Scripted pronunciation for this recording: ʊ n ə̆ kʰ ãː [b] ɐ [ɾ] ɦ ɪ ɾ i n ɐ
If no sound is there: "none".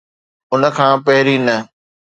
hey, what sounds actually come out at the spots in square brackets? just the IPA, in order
p, none

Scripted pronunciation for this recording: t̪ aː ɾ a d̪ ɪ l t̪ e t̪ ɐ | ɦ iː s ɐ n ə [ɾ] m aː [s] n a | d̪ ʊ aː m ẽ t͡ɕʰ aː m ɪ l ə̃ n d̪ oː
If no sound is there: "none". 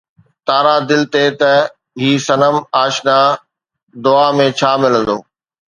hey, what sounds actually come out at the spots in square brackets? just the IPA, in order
none, ʃ

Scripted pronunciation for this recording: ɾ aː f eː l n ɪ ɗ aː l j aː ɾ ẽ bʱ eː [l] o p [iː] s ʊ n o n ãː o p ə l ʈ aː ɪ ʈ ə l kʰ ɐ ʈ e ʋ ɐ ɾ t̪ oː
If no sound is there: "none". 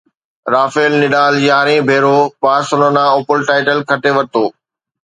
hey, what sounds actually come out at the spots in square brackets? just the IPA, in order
ɾ, aː

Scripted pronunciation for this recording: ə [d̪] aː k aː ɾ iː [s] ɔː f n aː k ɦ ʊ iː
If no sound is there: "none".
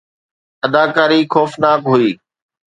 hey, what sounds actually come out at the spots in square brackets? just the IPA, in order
d̪, x

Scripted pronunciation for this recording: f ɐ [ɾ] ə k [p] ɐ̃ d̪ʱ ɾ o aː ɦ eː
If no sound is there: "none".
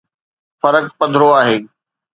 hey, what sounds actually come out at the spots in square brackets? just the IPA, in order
ɾ, p

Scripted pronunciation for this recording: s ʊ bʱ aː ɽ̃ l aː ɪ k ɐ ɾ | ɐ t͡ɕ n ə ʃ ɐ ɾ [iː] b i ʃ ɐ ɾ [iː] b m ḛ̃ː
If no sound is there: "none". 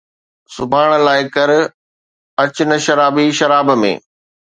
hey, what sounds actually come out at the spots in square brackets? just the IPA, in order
aː, aː

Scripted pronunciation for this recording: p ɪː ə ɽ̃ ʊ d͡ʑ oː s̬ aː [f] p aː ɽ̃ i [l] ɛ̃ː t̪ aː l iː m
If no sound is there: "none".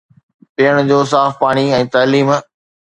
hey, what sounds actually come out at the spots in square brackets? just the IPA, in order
f, none

